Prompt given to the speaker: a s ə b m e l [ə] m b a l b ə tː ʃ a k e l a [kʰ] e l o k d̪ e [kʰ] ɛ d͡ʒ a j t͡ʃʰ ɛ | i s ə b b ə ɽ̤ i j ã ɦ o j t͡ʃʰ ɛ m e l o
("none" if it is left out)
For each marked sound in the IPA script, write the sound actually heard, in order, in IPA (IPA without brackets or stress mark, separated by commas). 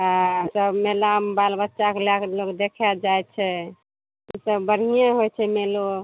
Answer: a, k, kʰ